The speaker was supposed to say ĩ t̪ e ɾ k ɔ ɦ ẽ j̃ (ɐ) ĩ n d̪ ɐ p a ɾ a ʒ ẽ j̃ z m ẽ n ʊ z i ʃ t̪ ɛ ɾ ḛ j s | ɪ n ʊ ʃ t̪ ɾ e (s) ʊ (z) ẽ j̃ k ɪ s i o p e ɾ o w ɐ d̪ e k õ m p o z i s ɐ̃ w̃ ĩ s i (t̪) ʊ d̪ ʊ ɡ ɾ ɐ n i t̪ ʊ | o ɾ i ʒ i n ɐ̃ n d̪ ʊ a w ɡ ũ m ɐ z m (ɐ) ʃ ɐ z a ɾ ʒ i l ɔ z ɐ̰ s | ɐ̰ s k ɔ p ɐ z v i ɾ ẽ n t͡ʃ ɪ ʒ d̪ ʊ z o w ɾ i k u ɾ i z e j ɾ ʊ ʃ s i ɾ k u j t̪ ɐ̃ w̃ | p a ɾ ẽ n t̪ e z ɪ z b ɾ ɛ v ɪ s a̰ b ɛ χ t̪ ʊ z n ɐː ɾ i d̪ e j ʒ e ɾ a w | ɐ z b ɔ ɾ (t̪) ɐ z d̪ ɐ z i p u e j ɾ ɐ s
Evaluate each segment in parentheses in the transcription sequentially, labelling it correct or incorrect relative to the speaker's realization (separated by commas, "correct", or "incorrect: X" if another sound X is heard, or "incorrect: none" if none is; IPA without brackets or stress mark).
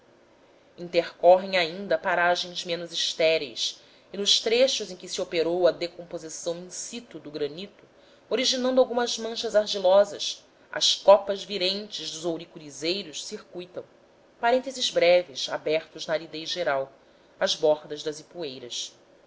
incorrect: a, incorrect: ʃ, correct, correct, incorrect: ɐ̃, incorrect: d̪